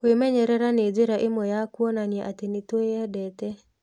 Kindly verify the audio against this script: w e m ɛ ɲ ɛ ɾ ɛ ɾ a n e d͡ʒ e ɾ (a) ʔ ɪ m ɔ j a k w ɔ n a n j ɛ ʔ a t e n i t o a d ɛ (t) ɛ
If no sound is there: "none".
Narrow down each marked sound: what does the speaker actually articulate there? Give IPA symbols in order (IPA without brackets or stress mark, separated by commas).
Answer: a, t